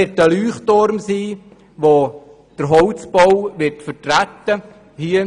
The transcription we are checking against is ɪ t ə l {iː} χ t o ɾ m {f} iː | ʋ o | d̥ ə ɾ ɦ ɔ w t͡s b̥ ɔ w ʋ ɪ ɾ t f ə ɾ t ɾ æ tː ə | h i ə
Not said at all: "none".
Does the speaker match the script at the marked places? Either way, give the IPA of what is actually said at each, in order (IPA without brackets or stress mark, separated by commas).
yː, s